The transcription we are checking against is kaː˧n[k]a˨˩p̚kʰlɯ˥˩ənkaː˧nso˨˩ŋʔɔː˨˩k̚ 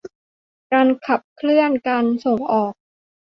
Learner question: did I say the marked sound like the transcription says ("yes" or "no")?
no